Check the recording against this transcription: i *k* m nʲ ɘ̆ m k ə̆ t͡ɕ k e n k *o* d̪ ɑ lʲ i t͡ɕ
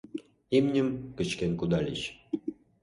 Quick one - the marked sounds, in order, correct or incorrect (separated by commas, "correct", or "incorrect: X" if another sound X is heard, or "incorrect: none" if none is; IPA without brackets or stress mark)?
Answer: incorrect: none, incorrect: u